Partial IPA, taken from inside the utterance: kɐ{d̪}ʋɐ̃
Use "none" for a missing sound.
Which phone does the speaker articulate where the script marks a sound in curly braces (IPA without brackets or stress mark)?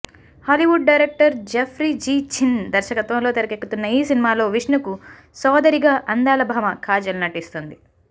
t̪